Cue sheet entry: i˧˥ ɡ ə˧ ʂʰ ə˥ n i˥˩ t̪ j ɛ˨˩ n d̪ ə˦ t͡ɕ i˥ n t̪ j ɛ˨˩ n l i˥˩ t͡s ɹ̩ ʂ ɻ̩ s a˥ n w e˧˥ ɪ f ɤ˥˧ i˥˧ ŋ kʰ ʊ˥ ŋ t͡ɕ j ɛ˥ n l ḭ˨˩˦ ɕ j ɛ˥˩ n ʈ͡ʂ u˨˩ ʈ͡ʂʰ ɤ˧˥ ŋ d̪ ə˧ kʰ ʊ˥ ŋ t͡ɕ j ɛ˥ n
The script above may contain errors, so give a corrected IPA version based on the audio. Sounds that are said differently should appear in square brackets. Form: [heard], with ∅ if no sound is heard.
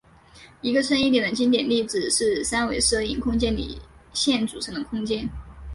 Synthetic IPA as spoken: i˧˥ ɡ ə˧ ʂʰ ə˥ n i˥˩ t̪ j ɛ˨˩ n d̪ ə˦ t͡ɕ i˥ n t̪ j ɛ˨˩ n l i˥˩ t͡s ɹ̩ ʂ ɻ̩ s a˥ n w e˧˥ ɪ [ʂ] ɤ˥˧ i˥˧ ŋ kʰ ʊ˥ ŋ t͡ɕ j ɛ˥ n l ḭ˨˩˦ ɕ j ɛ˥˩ n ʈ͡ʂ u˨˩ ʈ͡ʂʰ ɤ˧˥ ŋ d̪ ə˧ kʰ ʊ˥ ŋ t͡ɕ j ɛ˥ n

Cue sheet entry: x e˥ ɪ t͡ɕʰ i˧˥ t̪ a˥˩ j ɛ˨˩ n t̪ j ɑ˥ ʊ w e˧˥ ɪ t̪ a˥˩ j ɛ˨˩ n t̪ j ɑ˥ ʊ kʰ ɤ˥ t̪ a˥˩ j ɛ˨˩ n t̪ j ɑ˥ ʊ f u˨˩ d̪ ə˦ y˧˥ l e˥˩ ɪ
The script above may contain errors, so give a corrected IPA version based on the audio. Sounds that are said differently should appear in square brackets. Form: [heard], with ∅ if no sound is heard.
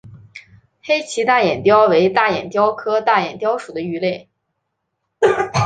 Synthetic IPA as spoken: x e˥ ɪ t͡ɕʰ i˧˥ t̪ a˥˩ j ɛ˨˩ n t̪ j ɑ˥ ʊ w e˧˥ ɪ t̪ a˥˩ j ɛ˨˩ n t̪ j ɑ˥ ʊ kʰ ɤ˥ t̪ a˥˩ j ɛ˨˩ n t̪ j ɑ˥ ʊ [ʂ] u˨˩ d̪ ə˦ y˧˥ l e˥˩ ɪ

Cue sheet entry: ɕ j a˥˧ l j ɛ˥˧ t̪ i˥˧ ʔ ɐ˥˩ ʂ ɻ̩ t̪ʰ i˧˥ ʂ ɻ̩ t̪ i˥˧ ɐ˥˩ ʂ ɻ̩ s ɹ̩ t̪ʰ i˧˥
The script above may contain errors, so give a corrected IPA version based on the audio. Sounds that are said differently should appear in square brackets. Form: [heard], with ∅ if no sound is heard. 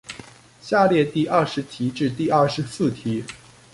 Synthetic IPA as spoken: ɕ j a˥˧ l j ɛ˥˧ t̪ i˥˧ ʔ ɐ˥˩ ʂ ɻ̩ t̪ʰ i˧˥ [ʈ͡ʂ] ɻ̩ t̪ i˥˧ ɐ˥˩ ʂ ɻ̩ s ɹ̩ t̪ʰ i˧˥

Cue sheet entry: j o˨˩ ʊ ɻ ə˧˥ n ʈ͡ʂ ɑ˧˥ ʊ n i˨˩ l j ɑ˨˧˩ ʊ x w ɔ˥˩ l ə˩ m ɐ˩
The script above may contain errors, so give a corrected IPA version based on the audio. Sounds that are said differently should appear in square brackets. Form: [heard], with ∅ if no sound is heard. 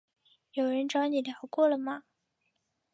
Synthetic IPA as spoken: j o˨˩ ʊ ɻ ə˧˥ n ʈ͡ʂ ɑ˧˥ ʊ n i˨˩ l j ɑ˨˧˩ ʊ [k] w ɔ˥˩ l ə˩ m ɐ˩

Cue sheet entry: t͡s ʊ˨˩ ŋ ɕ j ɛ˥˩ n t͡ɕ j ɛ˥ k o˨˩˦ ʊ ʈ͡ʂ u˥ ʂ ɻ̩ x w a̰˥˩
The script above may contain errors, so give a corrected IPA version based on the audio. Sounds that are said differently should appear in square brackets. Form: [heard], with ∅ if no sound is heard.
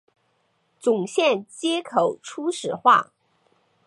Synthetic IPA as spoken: t͡s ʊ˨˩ ŋ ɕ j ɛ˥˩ n t͡ɕ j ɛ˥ [kʰ] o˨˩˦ ʊ [ʈ͡ʂʰ] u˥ ʂ ɻ̩ x w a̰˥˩

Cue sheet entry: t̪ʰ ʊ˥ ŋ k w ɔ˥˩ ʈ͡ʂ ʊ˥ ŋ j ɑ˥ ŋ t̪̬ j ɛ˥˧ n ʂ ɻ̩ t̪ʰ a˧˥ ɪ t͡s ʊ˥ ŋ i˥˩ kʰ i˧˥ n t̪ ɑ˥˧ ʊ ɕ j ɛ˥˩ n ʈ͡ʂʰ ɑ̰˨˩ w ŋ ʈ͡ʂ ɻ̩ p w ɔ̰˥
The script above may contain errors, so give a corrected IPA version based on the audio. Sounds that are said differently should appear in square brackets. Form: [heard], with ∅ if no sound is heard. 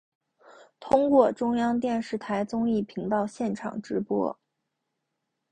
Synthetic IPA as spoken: t̪ʰ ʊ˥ ŋ k w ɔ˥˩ ʈ͡ʂ ʊ˥ ŋ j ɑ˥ ŋ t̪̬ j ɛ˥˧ n ʂ ɻ̩ t̪ʰ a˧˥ ɪ t͡s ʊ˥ ŋ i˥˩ [pʰ] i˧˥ [ŋ] t̪ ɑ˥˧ ʊ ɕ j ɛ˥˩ n ʈ͡ʂʰ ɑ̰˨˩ [∅] ŋ ʈ͡ʂ ɻ̩ p w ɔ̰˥

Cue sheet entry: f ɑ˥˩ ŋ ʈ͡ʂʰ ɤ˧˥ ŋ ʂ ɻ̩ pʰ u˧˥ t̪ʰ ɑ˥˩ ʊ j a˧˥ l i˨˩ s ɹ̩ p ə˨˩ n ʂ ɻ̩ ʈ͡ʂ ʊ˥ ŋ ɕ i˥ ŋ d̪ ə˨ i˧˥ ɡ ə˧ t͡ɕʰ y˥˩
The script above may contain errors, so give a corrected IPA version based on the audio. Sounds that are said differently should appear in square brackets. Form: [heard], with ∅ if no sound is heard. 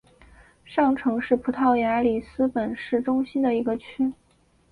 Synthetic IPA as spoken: [ʂ] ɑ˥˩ ŋ ʈ͡ʂʰ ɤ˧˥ ŋ ʂ ɻ̩ pʰ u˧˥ t̪ʰ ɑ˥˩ ʊ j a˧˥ l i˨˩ s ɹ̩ p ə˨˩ n ʂ ɻ̩ ʈ͡ʂ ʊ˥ ŋ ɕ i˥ [n] d̪ ə˨ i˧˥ ɡ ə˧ t͡ɕʰ [y˥]

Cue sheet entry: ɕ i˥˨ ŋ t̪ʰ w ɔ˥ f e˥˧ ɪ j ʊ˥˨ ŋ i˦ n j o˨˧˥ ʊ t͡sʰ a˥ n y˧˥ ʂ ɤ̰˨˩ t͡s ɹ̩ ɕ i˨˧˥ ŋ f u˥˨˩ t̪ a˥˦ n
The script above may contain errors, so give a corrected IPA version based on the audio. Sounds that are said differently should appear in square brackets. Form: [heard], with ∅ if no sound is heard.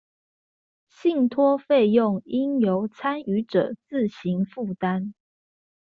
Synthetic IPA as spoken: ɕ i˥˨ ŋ t̪ʰ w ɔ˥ f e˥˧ ɪ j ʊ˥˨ ŋ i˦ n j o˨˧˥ ʊ t͡sʰ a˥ n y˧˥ [ʈ͡ʂ] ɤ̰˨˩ t͡s ɹ̩ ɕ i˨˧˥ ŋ f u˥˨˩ t̪ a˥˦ n

